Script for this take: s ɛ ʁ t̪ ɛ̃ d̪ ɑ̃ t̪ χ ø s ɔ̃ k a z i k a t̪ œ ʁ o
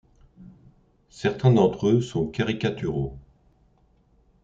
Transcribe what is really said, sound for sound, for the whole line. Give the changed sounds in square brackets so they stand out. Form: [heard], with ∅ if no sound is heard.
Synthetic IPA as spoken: s ɛ ʁ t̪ ɛ̃ d̪ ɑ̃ t̪ χ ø s ɔ̃ k a [ʁ] i k a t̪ [y] ʁ o